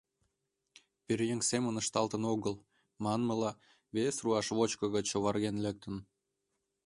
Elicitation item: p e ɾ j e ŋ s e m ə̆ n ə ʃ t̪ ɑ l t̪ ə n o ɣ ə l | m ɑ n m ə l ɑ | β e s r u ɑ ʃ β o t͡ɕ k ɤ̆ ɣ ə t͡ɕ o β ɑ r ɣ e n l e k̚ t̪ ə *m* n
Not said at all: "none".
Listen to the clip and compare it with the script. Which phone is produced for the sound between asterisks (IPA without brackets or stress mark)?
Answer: none